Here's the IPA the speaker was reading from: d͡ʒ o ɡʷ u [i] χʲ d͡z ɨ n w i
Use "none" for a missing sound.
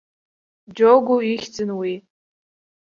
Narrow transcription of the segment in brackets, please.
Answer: i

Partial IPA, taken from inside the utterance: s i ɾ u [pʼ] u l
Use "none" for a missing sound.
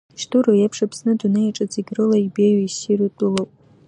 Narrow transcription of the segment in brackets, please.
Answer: tʼ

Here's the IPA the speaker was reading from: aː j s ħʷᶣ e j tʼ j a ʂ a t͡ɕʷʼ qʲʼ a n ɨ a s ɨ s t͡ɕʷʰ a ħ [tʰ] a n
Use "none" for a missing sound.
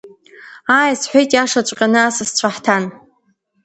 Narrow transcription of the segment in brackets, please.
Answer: tʰ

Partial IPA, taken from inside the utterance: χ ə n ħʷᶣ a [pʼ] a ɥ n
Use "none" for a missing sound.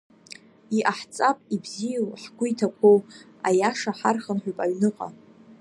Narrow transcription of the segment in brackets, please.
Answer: pʼ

